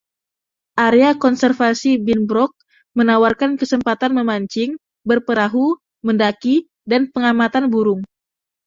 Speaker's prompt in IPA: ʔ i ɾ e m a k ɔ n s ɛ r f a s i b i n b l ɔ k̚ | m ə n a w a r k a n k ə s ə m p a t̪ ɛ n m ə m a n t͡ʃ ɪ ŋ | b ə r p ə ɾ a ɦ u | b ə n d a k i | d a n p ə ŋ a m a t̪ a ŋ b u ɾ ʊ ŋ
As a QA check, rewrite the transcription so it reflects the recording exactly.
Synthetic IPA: ʔ a ɾ e a k ɔ n s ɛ r f a s i b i n b ɾ ɔ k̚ | m ə n a w a r k a n k ə s ə m p a t̪ a n m ə m a ɲ t͡ʃ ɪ ŋ | b ə r p ə ɾ a ɦ u | m ə n d a k i | d a n p ə ŋ a m a t̪ a n b u ɾ ʊ ŋ